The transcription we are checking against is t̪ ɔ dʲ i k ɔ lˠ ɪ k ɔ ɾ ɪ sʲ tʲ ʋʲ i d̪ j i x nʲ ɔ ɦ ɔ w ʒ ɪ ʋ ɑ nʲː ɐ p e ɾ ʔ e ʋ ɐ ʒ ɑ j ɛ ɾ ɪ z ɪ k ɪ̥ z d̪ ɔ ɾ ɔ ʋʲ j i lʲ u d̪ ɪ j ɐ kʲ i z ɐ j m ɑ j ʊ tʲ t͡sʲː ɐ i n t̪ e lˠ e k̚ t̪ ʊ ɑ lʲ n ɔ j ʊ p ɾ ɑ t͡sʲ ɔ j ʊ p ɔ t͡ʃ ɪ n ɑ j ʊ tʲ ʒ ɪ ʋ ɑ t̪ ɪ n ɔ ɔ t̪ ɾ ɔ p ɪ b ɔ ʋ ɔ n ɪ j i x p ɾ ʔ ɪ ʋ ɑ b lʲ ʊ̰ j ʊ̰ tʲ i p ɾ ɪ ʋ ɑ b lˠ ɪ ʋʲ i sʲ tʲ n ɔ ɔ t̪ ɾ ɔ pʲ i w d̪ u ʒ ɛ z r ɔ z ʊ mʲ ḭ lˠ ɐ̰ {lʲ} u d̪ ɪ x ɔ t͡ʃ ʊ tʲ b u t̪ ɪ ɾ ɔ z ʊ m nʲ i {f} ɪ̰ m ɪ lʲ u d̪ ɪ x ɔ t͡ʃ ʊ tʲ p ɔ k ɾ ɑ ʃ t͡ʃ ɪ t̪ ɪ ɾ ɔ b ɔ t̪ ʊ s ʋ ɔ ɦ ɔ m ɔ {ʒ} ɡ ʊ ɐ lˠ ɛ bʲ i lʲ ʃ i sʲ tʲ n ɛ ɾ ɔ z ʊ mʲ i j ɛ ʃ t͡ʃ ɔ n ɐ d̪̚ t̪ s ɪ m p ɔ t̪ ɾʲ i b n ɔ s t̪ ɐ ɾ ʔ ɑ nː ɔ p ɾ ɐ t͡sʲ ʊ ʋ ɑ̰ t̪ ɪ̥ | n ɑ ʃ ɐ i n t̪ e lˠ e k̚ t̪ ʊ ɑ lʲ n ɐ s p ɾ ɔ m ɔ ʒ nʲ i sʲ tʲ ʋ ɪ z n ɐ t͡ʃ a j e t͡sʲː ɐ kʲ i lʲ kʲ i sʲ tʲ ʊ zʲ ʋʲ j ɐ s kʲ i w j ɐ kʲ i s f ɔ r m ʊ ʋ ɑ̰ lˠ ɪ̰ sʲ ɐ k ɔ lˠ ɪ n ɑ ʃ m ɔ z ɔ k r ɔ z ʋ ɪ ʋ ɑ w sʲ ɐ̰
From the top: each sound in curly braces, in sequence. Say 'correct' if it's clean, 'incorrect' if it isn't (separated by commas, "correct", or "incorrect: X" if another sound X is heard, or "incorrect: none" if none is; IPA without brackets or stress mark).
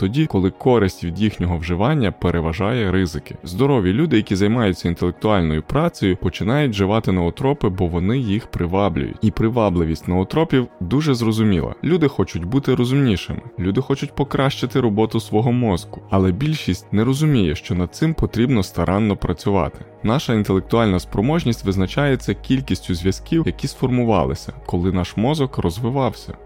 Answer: correct, incorrect: ʃ, incorrect: z